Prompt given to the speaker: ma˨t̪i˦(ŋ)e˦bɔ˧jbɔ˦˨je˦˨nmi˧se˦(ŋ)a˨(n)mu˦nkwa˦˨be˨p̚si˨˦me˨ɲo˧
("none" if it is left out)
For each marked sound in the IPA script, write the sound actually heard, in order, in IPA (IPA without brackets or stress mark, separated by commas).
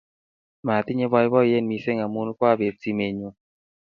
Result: ɲ, ŋ, none